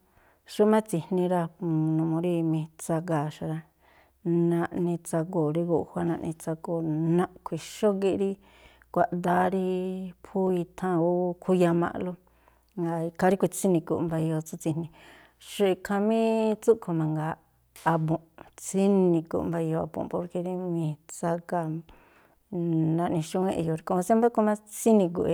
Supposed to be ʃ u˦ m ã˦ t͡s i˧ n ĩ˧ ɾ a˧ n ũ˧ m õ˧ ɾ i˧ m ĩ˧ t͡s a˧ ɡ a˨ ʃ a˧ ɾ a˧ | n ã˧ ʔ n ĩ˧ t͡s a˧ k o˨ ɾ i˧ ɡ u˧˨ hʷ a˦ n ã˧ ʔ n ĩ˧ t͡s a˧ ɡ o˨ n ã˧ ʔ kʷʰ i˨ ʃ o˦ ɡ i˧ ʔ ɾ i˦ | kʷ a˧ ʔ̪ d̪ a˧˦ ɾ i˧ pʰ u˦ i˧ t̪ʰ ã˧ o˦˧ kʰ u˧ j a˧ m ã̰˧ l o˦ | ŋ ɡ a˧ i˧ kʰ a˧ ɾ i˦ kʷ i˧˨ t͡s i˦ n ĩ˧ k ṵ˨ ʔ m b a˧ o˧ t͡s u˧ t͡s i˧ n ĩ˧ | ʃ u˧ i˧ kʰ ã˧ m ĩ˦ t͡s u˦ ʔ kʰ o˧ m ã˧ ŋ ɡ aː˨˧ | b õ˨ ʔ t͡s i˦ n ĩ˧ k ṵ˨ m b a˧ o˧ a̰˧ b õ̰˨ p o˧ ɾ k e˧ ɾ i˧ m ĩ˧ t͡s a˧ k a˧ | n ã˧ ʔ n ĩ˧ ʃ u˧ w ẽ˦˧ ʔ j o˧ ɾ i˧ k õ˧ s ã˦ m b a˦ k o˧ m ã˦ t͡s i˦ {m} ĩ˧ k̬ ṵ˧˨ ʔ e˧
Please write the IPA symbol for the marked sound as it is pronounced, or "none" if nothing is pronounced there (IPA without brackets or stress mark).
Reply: n